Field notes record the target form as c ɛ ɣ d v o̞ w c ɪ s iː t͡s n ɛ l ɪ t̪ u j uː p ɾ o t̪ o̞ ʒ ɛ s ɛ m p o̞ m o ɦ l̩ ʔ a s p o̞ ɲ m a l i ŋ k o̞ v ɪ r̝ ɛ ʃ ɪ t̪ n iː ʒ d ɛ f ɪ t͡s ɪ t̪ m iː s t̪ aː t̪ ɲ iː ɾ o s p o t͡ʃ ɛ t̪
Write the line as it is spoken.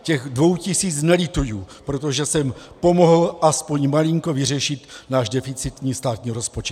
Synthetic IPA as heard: c ɛ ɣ d v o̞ w c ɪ s iː t͡s n ɛ l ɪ t̪ u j uː p ɾ o t̪ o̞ ʒ ɛ s ɛ m p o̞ m o ɦ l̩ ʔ a s p o̞ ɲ m a l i ŋ k o̞ v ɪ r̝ ɛ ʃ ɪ t̪ n aː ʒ d ɛ f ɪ t͡s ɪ t̪ ɲ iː s t̪ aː t̪ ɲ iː ɾ o s p o t͡ʃ ɛ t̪